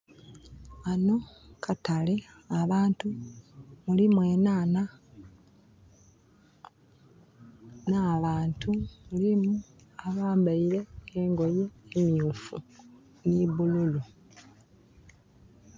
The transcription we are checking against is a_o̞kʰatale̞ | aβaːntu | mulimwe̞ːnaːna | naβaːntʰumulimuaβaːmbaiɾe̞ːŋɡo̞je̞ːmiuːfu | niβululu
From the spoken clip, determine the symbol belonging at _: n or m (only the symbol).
n